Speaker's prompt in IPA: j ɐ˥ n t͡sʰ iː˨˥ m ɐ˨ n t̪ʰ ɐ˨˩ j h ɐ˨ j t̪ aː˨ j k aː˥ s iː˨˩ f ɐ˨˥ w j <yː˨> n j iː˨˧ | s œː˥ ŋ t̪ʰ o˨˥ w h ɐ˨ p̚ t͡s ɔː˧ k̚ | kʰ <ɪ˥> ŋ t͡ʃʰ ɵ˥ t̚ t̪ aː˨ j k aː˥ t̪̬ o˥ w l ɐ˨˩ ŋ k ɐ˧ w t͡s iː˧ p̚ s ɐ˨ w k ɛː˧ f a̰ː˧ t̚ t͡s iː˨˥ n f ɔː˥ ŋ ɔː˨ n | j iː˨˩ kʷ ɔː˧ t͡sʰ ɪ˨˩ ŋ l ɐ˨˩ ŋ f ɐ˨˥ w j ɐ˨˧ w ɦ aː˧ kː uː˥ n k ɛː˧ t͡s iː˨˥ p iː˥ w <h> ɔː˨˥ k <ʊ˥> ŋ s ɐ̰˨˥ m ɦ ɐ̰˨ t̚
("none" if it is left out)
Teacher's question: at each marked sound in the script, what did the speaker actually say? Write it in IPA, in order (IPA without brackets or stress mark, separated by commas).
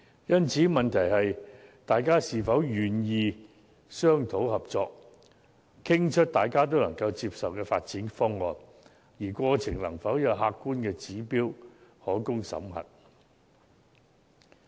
yː˨, ɪ˥, h, ʊ˥